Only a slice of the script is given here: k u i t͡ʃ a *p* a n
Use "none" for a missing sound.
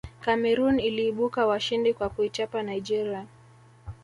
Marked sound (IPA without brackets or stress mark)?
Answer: p